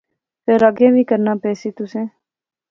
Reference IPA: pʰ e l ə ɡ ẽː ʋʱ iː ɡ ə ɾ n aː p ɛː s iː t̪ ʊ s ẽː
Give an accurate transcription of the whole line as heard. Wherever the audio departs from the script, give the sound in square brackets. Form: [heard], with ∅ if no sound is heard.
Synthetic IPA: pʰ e [ɾ] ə ɡ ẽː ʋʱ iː [k] ə ɾ n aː p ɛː s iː t̪ ʊ s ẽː